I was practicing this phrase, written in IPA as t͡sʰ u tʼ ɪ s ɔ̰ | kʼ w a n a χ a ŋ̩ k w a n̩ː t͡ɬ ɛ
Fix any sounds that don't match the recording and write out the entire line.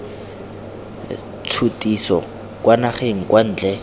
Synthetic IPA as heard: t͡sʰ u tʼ i s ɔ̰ | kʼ w a n a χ e ŋ̩ k w a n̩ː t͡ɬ ɛ